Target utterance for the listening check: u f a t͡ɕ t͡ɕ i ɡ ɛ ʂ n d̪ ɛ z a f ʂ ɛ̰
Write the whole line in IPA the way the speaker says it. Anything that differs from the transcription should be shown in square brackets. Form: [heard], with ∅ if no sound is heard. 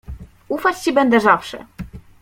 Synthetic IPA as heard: u f a t͡ɕ t͡ɕ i [b] ɛ [∅] n d̪ ɛ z a f ʂ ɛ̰